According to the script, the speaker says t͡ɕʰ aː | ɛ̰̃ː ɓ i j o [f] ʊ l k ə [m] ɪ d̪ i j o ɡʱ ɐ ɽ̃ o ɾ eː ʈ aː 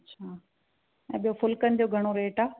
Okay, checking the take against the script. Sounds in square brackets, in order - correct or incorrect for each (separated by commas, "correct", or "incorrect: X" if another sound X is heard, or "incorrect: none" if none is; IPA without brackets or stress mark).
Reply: correct, incorrect: n